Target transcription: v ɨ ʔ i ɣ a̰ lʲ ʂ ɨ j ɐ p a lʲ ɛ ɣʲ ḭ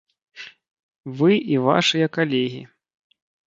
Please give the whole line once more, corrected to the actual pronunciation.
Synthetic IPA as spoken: v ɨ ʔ i v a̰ ʂ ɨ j ɐ k a lʲ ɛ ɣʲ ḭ